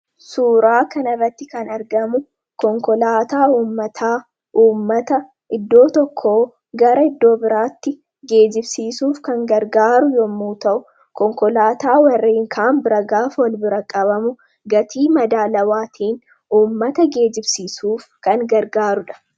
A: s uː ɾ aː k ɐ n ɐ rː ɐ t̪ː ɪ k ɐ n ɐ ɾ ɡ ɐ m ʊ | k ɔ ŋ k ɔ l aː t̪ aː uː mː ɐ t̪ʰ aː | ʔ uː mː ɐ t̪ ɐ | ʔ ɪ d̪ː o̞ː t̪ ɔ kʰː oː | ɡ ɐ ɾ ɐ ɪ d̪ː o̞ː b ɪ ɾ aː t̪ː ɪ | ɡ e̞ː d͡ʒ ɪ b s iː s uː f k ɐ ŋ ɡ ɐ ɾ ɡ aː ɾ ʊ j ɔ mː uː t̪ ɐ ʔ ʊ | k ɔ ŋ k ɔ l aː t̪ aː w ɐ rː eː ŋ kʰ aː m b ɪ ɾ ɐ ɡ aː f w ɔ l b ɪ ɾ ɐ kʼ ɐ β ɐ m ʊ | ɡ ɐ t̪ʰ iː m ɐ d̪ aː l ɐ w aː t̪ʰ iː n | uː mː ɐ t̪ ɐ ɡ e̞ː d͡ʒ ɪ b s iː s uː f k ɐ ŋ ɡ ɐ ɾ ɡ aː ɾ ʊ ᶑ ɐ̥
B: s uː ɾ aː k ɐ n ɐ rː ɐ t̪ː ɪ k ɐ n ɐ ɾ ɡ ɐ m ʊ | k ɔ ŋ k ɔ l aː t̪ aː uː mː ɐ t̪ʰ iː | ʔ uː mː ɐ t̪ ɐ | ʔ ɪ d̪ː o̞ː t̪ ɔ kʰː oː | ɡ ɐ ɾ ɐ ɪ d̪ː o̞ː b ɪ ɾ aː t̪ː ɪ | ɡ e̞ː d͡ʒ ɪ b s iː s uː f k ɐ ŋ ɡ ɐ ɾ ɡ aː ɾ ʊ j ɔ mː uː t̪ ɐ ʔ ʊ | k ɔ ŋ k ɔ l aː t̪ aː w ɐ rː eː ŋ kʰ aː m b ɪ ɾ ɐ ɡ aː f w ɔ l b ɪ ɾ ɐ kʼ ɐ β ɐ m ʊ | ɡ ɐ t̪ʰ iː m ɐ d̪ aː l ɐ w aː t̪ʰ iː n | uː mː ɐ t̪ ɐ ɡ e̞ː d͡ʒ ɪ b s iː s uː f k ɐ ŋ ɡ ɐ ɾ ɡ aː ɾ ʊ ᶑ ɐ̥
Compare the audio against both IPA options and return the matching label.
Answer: A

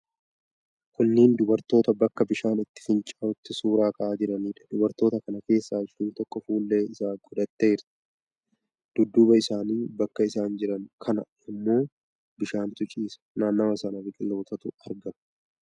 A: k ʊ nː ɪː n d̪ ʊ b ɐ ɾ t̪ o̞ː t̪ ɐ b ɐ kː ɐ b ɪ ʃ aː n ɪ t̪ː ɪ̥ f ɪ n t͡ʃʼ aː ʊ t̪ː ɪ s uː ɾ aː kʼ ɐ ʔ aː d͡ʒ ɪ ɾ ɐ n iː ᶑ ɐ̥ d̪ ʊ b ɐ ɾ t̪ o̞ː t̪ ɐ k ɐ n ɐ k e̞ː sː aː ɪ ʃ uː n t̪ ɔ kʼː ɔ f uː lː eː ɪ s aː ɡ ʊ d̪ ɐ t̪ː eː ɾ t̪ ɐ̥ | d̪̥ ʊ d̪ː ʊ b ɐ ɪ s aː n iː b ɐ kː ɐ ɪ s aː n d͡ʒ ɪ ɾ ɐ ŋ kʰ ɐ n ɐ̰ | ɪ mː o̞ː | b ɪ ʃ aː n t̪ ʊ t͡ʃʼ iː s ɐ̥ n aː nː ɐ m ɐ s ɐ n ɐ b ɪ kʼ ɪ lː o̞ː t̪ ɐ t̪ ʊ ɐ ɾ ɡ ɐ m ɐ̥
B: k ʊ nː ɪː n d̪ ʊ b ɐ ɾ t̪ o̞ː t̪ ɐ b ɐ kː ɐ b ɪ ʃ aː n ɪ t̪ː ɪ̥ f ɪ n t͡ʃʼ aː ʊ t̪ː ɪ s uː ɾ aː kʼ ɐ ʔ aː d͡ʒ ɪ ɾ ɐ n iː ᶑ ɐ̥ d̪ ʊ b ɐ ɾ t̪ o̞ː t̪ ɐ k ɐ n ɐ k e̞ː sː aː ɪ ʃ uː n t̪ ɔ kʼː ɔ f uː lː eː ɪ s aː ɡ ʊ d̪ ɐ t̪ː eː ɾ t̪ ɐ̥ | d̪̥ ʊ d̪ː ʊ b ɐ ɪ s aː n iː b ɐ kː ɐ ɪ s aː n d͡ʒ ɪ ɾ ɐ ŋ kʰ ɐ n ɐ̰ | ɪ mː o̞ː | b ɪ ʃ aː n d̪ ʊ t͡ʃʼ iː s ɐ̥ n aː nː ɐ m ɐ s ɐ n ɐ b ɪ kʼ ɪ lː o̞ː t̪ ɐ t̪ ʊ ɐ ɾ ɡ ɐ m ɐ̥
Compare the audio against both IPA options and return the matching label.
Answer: A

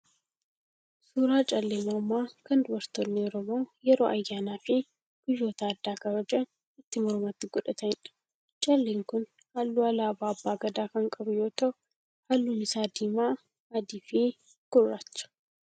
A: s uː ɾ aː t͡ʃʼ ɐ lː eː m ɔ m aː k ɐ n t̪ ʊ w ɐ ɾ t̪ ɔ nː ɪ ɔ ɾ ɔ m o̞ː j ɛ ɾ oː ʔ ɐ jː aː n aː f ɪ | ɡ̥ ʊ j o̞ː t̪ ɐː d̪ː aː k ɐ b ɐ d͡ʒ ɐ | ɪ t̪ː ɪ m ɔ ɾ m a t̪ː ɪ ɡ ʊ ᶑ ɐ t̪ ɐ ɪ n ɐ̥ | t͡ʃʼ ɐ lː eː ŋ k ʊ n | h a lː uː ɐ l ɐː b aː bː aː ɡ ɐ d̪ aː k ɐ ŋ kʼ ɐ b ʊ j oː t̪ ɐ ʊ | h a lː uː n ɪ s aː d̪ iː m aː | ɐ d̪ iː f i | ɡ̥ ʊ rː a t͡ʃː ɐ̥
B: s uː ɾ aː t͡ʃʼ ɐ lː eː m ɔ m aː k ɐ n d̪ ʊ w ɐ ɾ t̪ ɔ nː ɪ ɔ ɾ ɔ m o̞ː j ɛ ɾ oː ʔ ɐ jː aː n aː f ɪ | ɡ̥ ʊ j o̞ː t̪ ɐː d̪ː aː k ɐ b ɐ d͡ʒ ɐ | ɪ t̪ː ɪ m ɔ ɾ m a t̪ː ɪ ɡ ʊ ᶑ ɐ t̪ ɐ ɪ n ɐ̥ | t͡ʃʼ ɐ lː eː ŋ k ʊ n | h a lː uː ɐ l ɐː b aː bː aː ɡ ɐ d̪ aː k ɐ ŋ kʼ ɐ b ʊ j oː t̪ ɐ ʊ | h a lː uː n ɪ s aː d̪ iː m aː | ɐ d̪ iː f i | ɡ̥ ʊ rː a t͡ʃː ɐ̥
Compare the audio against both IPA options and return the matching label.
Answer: B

